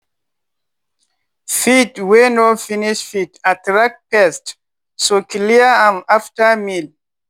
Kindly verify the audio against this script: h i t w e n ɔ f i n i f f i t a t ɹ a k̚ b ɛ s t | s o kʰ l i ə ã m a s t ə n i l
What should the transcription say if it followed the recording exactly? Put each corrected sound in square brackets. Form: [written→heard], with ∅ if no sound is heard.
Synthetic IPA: [h→f] i t w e n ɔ f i n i [f→ʃ] f i t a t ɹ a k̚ [b→p] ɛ s t | s o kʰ l i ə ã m a [s→f] t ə [n→m] i l